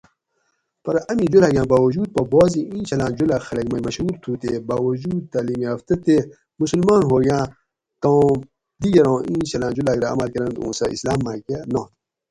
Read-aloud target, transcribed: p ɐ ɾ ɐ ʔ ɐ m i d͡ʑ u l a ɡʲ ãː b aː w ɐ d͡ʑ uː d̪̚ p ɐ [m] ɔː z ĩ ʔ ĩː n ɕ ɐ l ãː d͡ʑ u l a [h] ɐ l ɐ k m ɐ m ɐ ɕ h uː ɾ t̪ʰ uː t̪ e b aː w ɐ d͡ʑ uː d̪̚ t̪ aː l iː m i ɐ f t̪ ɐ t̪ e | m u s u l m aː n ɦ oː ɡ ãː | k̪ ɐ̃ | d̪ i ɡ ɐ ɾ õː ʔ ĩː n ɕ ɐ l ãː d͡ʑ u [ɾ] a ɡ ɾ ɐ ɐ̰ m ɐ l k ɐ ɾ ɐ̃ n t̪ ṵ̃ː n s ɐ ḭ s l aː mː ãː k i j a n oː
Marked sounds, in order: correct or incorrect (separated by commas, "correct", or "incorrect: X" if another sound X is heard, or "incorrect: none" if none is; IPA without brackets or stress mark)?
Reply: incorrect: b, incorrect: x, incorrect: l